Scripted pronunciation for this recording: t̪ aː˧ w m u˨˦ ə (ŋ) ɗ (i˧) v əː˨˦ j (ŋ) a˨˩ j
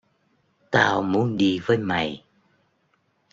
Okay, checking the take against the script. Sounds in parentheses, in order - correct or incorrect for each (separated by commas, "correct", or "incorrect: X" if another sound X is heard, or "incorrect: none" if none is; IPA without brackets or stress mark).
incorrect: n, correct, incorrect: m